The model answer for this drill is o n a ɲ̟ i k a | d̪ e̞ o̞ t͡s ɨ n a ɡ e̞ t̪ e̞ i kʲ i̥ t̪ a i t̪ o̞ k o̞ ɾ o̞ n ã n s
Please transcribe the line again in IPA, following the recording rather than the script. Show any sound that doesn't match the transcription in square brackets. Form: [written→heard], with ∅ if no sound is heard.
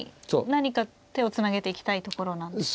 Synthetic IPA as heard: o n a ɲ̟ i k a | [d̪→t̪] e̞ o̞ t͡s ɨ n a ɡ e̞ t̪ e̞ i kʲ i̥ t̪ a i t̪ o̞ k o̞ ɾ o̞ n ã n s